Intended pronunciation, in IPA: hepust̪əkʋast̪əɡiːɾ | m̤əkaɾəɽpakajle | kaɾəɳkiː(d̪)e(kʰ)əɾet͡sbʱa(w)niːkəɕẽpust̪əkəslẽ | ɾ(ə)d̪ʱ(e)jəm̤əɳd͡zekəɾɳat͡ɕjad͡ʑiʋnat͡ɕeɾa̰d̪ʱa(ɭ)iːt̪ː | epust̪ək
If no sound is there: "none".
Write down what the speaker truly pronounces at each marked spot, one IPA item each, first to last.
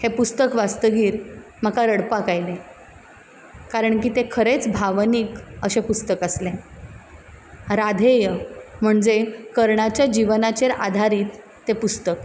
t̪, kʰ, ʋ, a, e, ɾ

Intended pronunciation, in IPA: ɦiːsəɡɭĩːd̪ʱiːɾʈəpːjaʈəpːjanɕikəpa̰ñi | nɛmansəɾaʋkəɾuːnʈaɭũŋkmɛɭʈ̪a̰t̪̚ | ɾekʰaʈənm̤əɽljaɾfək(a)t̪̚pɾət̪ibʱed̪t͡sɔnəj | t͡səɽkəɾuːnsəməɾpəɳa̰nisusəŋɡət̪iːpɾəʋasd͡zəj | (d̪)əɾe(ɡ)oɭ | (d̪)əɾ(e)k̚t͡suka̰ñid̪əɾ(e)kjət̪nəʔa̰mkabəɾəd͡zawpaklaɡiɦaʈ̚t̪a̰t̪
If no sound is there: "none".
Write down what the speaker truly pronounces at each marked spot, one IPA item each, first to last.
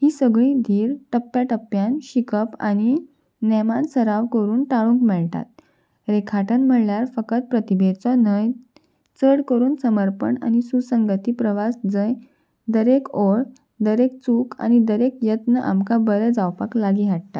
ə, d̪, k, d̪, e, e

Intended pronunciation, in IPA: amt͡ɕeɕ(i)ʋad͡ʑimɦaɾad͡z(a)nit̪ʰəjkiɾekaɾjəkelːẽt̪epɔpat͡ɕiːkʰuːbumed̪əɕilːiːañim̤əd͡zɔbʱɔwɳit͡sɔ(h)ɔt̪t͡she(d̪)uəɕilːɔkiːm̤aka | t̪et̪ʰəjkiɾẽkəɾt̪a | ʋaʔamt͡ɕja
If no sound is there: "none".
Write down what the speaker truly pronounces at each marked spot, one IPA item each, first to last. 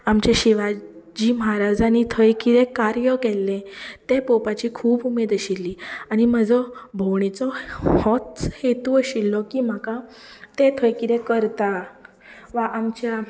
i, a, h, t̪

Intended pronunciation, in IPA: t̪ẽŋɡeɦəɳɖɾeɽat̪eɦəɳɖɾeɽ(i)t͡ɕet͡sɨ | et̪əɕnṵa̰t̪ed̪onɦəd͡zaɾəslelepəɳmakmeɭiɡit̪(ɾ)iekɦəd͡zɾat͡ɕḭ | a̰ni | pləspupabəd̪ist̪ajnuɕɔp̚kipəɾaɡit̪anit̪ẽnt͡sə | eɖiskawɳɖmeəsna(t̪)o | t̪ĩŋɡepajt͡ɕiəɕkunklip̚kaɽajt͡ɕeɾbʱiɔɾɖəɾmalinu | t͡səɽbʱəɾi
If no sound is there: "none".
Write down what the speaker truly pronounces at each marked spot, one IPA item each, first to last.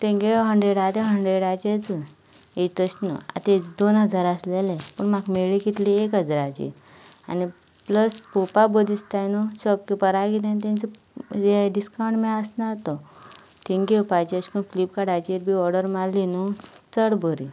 a, l, t̪

